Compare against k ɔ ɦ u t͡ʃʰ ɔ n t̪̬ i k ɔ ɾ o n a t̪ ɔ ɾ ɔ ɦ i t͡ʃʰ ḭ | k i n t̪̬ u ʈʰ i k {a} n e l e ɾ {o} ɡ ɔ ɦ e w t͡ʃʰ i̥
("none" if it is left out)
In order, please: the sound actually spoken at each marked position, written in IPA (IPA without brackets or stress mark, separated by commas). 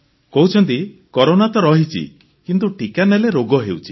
a, o